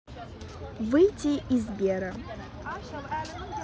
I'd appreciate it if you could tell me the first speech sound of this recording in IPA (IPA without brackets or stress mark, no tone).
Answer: v